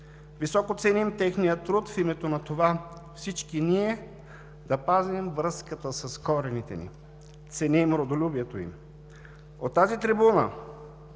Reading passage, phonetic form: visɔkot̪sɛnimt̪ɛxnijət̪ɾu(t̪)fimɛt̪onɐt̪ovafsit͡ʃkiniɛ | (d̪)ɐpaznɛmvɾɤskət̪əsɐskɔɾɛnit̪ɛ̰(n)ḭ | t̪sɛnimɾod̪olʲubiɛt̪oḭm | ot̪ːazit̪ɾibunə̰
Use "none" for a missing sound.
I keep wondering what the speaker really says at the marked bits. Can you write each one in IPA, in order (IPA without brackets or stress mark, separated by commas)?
t̪, d̪, n